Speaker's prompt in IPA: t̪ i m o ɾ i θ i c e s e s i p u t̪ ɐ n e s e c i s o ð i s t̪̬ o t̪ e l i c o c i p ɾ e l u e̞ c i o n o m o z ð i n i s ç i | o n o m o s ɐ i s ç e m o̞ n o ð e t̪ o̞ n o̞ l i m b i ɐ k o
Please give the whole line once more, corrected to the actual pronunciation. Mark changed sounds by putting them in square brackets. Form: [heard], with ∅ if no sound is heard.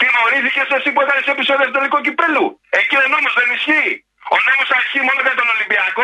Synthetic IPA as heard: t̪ i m o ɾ i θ i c e s e s i p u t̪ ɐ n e s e [p] i s o ð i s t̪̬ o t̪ e l i [k] o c i p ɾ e l u e̞ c i o n o m o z ð [e] n i s ç i | o n o m o s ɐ i s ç [i] m o̞ n o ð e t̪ o̞ n o̞ l i m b i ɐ k o